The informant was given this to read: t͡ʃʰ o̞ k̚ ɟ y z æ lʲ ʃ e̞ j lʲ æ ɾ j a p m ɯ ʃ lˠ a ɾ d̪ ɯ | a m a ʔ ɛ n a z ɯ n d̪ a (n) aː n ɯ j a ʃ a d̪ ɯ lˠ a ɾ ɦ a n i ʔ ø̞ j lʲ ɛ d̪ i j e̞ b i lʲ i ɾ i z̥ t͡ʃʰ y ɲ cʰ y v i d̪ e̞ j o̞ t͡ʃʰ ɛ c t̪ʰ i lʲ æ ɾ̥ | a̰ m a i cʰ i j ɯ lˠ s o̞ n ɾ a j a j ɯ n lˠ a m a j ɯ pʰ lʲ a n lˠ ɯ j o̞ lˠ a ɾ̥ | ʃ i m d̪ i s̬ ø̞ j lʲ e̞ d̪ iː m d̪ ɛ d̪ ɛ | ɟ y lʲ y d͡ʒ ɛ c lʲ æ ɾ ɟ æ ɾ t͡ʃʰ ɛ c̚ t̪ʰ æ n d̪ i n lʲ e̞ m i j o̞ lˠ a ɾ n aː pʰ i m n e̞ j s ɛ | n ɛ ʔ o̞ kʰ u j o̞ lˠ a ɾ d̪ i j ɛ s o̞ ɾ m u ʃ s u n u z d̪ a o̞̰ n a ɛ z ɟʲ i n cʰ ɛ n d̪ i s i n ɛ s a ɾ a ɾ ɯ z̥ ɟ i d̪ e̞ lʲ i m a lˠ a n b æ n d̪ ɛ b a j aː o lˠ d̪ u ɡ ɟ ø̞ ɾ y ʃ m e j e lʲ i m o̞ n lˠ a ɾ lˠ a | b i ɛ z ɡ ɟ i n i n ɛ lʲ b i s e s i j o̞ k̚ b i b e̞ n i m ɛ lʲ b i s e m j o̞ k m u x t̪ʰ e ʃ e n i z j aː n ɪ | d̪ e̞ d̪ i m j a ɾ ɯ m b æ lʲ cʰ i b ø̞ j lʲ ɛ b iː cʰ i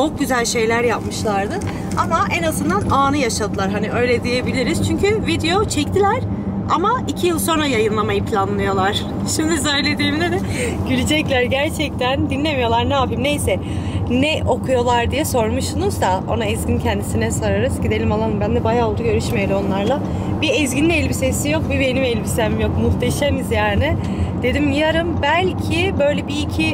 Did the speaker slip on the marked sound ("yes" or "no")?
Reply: no